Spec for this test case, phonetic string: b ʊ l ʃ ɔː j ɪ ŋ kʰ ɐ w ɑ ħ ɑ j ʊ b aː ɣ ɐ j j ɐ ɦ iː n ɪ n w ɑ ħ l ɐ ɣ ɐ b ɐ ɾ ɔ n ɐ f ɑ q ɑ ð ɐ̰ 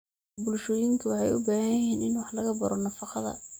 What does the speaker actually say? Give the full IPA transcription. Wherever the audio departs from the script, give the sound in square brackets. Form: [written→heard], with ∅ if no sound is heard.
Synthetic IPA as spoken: b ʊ l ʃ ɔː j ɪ ŋ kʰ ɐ w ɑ ħ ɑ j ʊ b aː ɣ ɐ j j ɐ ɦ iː n ɪ n w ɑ ħ l ɐ ɣ ɐ b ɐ ɾ ɔ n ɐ f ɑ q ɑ ð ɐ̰